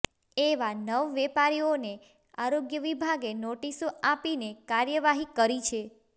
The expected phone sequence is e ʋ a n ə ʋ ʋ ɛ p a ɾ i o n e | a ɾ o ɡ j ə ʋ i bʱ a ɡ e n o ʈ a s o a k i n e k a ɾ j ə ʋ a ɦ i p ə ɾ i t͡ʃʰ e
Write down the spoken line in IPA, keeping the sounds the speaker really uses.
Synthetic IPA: e ʋ a n ə ʋ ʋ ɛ p a ɾ i o n e | a ɾ o ɡ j ə ʋ i bʱ a ɡ e n o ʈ i s o a p i n e k a ɾ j ə ʋ a ɦ i k ə ɾ i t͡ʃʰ e